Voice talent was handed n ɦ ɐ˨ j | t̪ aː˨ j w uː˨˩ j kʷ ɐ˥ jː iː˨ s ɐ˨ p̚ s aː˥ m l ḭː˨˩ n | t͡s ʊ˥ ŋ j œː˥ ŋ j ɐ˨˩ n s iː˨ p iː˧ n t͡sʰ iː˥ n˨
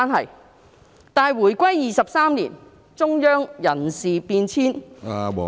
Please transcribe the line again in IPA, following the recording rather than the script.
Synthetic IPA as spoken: n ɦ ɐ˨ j | t̪ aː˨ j w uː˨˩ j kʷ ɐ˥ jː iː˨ s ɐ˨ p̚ s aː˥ m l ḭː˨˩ n | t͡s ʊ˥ ŋ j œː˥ ŋ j ɐ˨˩ n s iː˨ p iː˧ n t͡sʰ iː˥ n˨